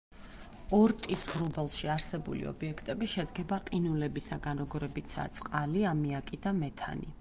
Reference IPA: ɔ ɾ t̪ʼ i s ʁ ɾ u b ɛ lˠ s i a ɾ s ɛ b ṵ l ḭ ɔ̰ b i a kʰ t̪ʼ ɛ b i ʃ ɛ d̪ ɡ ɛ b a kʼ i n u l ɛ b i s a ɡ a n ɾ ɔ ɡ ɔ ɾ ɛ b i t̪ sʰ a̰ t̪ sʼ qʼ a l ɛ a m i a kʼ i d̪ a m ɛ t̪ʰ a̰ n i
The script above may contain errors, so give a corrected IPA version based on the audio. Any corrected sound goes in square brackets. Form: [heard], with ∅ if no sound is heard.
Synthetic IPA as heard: ɔ ɾ t̪ʼ i s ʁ ɾ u b ɛ lˠ [ʃ] i a ɾ s ɛ b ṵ l ḭ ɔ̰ b i [ɛ] kʰ t̪ʼ ɛ b i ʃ ɛ d̪ ɡ ɛ b a [qʼ] i n u l ɛ b i s a ɡ a n ɾ ɔ ɡ ɔ ɾ ɛ b i t̪ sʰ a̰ t̪ sʼ qʼ a l [i] a m i a kʼ i d̪ a m ɛ t̪ʰ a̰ n i